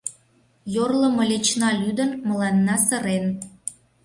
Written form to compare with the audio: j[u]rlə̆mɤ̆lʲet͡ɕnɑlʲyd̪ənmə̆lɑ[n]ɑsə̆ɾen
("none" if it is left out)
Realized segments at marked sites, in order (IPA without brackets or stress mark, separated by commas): o, nː